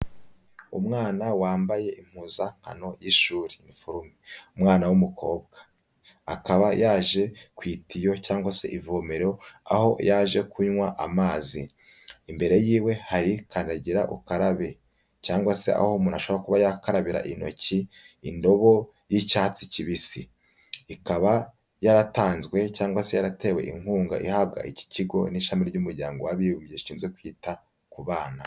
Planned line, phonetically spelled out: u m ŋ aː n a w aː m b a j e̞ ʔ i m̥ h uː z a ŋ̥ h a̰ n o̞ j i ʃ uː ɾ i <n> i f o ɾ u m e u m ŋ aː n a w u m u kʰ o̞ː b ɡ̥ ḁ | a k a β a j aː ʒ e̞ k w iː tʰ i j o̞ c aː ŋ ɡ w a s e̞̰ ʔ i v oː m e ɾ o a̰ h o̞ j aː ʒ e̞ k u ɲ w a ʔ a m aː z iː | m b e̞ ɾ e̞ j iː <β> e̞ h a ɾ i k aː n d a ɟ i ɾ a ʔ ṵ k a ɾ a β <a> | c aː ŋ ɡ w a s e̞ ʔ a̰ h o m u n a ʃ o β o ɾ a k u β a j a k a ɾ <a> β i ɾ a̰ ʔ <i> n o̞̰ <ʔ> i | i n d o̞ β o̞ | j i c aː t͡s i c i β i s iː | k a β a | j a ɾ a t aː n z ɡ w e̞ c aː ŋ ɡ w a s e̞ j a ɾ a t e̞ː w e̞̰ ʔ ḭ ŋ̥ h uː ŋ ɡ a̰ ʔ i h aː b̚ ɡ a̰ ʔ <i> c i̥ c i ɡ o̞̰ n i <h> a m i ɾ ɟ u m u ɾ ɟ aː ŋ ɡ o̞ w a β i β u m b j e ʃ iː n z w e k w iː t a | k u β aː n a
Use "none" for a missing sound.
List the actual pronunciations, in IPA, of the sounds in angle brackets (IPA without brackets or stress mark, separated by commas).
n, w, e, a, i, c, i, ʃ